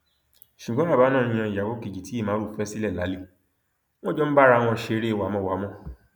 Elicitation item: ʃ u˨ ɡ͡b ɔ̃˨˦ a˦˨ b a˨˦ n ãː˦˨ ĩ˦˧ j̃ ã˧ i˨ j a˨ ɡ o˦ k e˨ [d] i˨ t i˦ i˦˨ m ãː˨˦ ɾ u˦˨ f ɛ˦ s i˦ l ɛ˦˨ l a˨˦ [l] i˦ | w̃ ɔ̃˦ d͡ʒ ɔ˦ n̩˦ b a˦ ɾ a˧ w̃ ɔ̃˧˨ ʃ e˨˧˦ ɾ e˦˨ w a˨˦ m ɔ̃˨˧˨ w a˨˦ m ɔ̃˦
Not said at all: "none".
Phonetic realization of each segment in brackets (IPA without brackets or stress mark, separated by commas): d͡ʒ, l